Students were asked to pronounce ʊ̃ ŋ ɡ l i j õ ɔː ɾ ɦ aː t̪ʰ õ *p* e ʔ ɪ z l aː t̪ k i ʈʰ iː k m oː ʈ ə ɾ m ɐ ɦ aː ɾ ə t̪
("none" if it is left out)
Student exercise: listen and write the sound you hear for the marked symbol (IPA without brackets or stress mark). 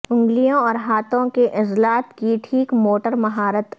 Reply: k